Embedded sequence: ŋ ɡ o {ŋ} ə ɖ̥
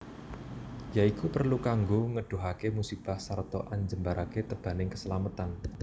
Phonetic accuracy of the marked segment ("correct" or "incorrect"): correct